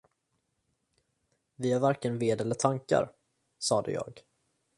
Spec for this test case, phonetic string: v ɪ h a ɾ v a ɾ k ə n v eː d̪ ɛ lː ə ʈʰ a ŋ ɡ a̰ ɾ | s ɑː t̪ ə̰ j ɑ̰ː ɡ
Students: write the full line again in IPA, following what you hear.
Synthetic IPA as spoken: v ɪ h a ɾ v a ɾ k ə n v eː d̪ ɛ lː ə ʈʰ a ŋ k a̰ ɾ | s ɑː d̪ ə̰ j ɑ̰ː ɡ